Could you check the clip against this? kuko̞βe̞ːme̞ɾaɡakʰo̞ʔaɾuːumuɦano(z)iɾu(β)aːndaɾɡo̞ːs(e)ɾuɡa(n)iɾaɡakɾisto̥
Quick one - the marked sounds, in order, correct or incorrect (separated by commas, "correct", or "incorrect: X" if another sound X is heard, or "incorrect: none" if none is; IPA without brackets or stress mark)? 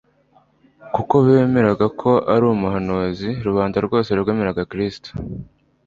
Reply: correct, correct, correct, incorrect: m